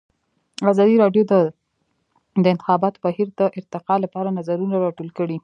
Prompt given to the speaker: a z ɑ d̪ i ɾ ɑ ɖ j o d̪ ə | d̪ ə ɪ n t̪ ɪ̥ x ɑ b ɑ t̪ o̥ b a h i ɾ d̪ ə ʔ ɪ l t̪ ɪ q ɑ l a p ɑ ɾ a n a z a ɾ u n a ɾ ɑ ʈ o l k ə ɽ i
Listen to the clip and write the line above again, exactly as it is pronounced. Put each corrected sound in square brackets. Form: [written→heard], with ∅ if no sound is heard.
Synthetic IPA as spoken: a z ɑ d̪ i ɾ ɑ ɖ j o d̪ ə | d̪ ə ɪ n t̪ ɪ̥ x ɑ b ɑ t̪ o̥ b a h i ɾ d̪ ə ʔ ɪ [l→ɾ] t̪ ɪ q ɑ l a p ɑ ɾ a n a z a ɾ u n a ɾ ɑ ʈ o l k ə ɽ i